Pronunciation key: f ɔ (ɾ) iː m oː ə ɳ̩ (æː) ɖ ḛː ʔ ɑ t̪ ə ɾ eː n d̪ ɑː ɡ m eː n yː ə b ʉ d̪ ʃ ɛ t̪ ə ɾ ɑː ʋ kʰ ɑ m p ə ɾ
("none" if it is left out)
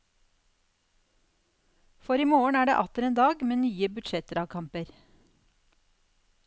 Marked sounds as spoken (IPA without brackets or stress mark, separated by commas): ɾ, æː